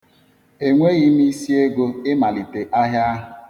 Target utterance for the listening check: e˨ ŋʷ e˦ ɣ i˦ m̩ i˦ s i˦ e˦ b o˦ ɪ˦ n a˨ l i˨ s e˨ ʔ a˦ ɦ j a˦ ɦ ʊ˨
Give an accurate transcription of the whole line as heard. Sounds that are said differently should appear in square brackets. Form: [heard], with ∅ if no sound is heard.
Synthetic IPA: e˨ ŋʷ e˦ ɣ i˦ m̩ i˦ s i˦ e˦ [ɡ] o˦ ɪ˦ [m] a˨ l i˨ [t] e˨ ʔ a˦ ɦ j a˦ ɦ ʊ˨